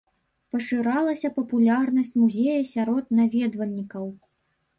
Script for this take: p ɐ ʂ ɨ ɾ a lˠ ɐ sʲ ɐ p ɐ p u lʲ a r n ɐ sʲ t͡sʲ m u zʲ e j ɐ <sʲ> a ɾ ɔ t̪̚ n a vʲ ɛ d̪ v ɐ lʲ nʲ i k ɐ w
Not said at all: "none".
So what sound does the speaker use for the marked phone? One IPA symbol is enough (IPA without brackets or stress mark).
sʲ